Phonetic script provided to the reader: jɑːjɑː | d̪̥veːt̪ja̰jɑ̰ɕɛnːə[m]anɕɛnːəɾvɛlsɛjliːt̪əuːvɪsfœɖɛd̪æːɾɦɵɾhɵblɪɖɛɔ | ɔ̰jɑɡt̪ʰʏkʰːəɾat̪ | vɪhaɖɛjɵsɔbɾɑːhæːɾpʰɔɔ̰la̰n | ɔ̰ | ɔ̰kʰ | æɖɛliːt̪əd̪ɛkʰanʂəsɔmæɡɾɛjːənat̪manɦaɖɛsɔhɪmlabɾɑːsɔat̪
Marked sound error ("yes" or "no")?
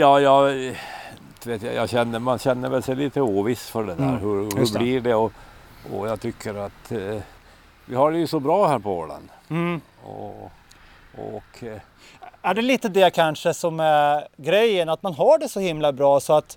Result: no